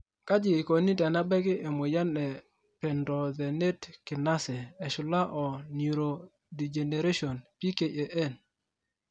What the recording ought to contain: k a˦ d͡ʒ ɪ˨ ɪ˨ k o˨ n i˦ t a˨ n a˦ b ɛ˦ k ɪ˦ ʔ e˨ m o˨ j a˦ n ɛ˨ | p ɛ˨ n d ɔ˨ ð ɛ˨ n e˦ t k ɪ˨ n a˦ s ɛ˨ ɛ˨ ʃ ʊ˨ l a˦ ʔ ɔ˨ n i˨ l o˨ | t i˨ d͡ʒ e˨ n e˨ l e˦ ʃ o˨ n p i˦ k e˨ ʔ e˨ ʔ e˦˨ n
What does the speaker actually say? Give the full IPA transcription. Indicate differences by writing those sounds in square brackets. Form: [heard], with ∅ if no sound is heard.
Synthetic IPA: k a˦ d͡ʒ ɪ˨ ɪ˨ k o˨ n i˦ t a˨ n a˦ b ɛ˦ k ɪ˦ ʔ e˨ m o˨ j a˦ n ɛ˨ | p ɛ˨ n d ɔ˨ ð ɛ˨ n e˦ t k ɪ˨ n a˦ s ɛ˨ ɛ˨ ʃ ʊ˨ l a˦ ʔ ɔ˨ n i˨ [ɾ] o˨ | [d] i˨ d͡ʒ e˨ n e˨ [ɾ] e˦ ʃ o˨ n p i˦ k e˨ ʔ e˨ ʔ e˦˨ n